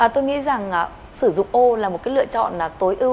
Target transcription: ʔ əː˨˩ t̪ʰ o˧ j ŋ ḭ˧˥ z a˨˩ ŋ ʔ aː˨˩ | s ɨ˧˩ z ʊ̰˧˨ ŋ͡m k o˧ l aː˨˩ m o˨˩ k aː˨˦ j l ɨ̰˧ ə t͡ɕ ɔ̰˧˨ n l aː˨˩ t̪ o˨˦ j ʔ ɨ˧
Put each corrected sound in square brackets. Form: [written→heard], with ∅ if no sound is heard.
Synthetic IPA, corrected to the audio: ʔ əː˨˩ [t̪ʰ→t̪] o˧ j ŋ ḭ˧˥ z a˨˩ ŋ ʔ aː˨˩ | s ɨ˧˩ z ʊ̰˧˨ ŋ͡m [k→ʔ] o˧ l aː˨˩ m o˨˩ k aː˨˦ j l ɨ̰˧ ə t͡ɕ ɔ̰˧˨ n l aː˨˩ t̪ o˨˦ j ʔ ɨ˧